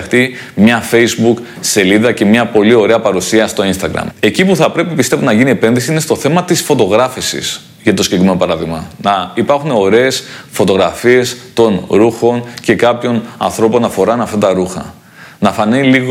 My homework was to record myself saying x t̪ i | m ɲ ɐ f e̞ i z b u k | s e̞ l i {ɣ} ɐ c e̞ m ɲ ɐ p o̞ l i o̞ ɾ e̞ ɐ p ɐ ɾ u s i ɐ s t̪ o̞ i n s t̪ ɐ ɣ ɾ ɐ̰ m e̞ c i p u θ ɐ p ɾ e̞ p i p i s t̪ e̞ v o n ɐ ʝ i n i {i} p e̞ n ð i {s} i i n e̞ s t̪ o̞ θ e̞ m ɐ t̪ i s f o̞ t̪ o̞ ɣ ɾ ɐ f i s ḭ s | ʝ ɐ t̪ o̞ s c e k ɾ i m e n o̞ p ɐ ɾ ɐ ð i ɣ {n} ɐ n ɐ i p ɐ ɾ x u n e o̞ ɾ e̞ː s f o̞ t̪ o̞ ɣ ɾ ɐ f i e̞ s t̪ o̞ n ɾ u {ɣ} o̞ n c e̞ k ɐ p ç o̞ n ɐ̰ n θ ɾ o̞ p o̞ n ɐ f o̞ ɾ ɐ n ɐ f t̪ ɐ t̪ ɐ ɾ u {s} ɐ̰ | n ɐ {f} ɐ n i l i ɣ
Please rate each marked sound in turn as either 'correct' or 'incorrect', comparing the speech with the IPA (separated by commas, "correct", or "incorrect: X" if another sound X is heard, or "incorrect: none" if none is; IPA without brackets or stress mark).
incorrect: ð, incorrect: e, correct, incorrect: m, incorrect: x, incorrect: x, correct